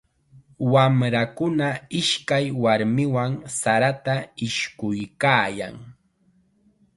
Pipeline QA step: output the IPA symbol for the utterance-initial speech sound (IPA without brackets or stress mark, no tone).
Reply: w